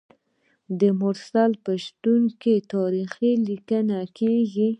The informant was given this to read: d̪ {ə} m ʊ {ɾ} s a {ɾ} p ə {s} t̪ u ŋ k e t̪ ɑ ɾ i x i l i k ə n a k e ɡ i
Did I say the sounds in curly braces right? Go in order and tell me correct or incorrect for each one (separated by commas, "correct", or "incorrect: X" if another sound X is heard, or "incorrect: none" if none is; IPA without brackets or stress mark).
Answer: correct, correct, incorrect: l, incorrect: ʃ